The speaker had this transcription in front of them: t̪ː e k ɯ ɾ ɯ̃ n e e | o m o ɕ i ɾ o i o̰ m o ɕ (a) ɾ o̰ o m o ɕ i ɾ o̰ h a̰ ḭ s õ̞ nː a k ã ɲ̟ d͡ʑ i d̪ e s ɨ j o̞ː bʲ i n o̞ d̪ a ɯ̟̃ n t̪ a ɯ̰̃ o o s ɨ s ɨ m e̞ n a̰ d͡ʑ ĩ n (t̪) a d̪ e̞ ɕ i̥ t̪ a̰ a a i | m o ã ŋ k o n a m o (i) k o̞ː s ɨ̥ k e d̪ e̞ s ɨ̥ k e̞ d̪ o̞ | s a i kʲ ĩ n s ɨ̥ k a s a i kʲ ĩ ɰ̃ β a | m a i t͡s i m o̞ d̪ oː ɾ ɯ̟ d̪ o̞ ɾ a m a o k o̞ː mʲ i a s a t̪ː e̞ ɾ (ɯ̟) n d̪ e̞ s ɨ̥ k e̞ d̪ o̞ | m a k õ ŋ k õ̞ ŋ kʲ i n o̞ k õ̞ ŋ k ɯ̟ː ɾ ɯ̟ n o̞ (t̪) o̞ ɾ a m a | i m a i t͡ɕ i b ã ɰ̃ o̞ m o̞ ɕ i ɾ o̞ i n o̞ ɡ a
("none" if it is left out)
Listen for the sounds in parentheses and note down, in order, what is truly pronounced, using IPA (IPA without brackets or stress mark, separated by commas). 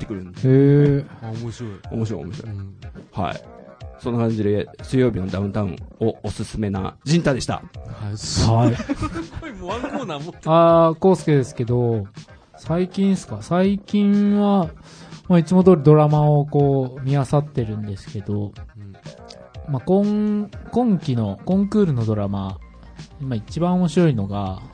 i, t̪, a, ɯ̟̃, d̪